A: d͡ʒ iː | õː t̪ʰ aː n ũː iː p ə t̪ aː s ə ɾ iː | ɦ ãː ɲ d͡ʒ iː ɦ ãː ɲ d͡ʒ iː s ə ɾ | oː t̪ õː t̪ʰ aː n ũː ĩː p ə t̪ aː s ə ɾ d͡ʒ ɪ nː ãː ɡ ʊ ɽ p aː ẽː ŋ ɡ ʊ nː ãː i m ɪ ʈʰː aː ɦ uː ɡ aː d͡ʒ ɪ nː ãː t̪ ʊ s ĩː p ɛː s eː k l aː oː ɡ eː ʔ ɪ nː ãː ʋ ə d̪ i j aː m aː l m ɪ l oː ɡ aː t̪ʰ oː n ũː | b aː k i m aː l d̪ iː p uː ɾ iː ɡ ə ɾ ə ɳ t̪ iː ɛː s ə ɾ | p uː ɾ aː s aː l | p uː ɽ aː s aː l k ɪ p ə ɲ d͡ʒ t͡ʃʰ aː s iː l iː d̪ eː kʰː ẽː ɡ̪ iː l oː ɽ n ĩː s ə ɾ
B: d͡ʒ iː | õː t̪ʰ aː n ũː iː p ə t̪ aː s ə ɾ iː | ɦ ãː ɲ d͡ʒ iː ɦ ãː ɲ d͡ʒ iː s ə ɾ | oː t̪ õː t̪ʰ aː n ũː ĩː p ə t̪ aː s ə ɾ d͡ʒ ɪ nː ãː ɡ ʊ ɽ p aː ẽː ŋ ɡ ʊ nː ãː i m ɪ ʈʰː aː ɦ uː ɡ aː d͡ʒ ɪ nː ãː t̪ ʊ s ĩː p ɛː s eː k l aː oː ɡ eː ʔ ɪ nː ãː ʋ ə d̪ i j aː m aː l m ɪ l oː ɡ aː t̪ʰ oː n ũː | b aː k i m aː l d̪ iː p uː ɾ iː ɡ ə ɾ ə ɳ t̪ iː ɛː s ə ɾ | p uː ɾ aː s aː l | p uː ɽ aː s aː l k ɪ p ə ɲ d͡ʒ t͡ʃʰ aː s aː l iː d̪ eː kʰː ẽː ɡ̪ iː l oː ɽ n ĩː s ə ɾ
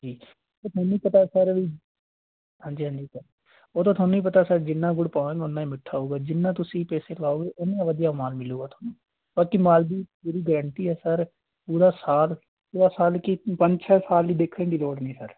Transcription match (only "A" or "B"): B